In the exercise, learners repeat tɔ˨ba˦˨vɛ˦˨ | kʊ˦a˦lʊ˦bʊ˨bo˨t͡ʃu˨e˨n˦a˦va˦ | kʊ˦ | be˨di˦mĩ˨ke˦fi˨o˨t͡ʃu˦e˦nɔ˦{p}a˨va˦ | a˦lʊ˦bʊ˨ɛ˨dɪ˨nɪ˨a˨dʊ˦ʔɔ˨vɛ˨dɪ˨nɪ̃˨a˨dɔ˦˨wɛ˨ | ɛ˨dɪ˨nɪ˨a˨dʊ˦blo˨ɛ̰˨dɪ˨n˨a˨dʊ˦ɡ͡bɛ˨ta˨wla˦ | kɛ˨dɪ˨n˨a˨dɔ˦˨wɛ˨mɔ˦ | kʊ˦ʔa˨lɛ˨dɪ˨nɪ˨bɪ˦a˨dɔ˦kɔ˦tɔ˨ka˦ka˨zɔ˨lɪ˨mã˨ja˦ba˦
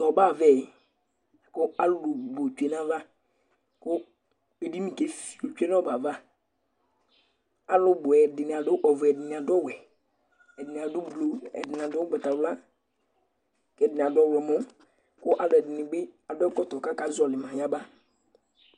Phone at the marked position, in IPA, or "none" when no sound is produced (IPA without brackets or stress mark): b